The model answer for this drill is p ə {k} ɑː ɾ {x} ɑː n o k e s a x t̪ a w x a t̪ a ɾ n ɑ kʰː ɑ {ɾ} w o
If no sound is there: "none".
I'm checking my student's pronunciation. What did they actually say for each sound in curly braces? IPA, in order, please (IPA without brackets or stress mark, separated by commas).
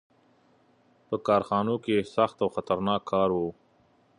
k, x, ɾ